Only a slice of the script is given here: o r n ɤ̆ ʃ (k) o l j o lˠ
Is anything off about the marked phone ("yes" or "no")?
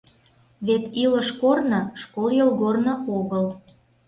no